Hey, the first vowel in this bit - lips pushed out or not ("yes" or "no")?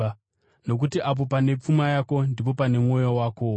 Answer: yes